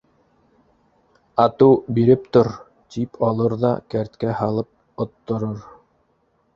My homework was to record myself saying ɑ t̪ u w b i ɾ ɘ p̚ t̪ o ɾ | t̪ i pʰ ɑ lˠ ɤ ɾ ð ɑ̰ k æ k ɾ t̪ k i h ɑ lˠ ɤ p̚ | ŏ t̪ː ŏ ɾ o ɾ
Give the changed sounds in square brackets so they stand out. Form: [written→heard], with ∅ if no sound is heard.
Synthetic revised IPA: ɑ t̪ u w b i ɾ ɘ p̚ t̪ o ɾ | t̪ i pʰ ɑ lˠ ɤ ɾ ð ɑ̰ k æ [k→∅] ɾ t̪ k [i→æ] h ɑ lˠ ɤ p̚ | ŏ t̪ː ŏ ɾ o ɾ